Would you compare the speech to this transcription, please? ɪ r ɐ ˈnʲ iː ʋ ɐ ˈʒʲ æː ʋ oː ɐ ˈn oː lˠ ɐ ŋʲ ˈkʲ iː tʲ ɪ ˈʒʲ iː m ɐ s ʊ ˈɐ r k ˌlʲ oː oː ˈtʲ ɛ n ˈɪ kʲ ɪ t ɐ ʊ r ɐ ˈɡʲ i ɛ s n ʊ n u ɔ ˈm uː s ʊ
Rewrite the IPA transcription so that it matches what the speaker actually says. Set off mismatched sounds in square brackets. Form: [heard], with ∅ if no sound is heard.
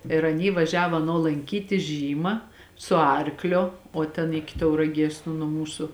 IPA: ɪ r ɐ ˈnʲ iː ʋ ɐ ˈʒʲ æː ʋ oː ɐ ˈn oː lˠ ɐ ŋʲ ˈkʲ iː tʲ ɪ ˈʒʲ iː m ɐ s ʊ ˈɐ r k ˌlʲ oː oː ˈtʲ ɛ n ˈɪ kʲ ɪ t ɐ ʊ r ɐ ˈɡʲ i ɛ s n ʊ n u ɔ ˈm uː s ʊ